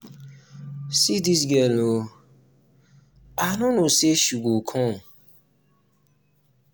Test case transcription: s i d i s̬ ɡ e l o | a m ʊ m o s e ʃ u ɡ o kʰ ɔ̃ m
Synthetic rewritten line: s i d i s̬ ɡ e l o | a n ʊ n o s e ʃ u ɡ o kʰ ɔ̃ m